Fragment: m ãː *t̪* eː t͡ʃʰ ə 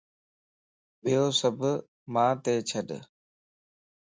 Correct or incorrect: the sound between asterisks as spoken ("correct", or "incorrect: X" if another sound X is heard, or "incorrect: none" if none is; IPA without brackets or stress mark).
correct